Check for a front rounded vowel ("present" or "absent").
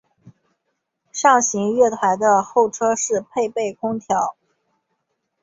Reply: absent